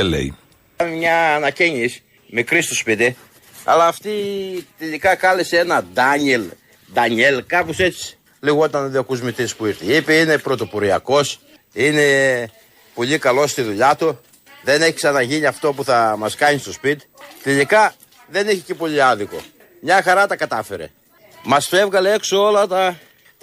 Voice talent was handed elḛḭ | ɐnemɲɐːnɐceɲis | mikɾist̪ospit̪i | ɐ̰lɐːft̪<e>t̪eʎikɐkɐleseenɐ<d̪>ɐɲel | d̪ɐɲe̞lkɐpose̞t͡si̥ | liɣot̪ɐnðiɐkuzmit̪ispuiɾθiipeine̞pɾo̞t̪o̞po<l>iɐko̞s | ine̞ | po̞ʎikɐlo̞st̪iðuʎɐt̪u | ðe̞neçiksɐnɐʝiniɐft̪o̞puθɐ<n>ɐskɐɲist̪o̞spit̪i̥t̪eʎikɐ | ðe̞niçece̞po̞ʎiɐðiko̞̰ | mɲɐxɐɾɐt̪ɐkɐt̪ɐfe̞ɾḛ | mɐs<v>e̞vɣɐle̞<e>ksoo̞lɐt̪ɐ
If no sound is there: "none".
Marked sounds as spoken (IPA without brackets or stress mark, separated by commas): i, d̪, ɾ, m, f, e